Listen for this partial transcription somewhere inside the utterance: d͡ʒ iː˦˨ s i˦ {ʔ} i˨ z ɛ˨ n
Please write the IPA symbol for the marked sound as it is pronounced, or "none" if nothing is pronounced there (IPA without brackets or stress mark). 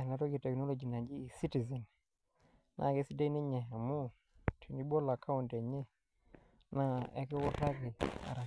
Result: t